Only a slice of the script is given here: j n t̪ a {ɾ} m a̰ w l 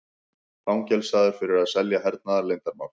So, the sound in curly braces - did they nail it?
yes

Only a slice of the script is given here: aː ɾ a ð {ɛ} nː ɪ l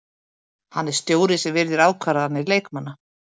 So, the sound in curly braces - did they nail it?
no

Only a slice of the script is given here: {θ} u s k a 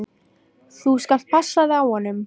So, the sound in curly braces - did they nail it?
yes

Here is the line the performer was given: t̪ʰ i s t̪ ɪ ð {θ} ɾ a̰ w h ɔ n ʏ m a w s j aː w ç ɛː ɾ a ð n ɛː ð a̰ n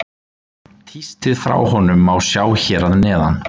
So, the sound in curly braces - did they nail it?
no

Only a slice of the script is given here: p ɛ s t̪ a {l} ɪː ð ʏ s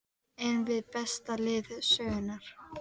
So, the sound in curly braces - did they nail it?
yes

